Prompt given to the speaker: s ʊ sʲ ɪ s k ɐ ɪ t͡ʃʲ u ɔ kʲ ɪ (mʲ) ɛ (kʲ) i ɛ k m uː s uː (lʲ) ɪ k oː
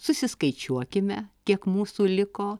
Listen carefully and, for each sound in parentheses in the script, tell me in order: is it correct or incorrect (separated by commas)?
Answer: correct, correct, correct